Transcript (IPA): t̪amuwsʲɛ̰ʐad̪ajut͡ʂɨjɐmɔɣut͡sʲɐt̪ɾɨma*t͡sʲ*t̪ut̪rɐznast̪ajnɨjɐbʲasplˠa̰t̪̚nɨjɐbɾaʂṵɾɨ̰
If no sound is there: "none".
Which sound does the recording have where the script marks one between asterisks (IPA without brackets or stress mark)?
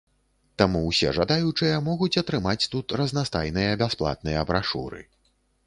t͡sʲ